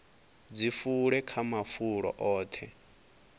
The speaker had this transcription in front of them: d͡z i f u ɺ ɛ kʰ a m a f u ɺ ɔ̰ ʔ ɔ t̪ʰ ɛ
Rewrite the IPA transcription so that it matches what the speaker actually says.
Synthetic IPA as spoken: d͡z i f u ɺ ɛ kʰ a m a f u ɺ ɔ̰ ʔ ɔː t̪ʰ ɛ